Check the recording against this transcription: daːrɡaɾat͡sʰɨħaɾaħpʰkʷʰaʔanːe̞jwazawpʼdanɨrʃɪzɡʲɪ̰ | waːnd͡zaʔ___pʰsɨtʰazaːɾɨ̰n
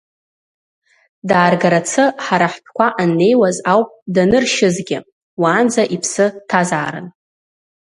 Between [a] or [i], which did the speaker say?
i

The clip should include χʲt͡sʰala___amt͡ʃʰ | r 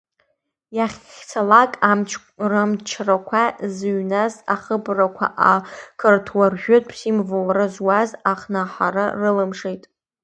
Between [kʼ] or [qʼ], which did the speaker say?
kʼ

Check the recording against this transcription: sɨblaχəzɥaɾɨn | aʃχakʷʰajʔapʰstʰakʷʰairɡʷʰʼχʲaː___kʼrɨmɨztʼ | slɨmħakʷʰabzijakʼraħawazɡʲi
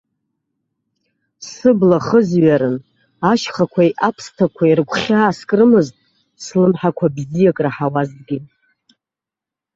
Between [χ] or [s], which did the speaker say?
s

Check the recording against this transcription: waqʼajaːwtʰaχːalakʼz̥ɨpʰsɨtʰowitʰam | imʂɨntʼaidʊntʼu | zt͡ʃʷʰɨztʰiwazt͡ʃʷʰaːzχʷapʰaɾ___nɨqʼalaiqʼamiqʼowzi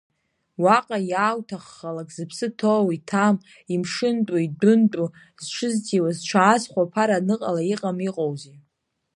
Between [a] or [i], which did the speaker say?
a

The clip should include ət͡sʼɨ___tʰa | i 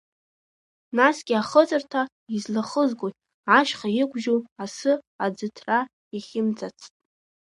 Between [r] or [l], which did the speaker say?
r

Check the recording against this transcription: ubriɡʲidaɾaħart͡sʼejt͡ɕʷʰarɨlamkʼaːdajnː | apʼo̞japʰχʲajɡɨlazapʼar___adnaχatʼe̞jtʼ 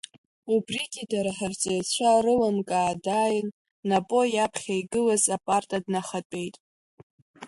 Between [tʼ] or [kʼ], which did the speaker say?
tʼ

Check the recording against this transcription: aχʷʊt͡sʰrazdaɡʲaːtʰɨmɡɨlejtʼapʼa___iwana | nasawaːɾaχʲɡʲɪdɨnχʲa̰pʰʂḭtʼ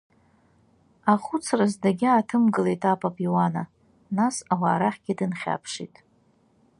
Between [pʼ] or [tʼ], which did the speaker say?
pʼ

